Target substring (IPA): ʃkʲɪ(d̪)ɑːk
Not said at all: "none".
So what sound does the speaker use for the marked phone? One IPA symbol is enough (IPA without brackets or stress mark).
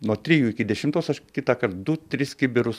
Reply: t̪